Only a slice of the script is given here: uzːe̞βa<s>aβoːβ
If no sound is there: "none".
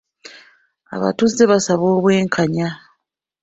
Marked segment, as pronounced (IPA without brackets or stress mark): s